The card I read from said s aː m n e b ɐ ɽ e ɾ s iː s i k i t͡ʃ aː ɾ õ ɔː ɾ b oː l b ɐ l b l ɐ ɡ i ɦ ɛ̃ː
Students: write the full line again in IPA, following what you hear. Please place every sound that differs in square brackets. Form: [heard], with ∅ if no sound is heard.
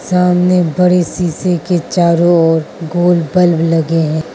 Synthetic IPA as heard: s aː m n e b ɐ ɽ e [∅] s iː s [e] k [e] t͡ʃ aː ɾ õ ɔː ɾ [ɡ] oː l b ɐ l b l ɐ ɡ [e] ɦ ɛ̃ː